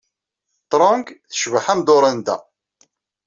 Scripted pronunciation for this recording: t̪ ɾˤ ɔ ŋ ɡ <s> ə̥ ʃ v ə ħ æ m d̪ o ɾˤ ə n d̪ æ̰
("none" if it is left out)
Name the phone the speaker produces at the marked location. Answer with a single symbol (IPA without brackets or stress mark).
θ